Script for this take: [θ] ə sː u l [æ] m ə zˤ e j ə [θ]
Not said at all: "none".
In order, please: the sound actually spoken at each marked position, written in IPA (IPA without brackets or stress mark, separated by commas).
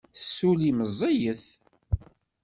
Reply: θ, i, θ